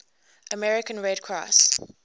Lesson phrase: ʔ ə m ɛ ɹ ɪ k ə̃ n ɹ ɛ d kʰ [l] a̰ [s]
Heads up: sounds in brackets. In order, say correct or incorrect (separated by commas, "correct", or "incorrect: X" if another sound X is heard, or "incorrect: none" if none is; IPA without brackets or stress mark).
incorrect: ɹ, correct